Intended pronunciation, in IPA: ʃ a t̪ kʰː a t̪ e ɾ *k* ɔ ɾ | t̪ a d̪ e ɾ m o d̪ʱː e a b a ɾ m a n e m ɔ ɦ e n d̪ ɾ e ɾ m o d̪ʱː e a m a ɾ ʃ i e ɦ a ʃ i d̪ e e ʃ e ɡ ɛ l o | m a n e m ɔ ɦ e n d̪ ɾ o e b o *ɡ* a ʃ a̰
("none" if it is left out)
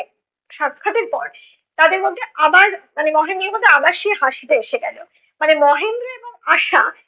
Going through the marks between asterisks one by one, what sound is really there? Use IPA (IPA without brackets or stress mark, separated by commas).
p, ŋ